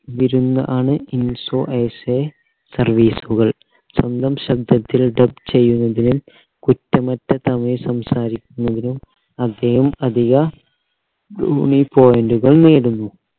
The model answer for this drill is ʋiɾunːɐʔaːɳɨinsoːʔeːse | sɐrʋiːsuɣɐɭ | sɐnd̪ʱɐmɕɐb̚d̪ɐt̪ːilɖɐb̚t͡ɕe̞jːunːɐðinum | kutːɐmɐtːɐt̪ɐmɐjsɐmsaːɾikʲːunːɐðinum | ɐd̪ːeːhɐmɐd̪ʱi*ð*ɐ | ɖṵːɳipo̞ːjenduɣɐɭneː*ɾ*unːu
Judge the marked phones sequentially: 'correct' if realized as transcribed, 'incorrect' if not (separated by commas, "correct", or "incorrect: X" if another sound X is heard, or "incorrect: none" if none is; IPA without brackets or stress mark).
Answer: incorrect: ɣ, incorrect: ɽ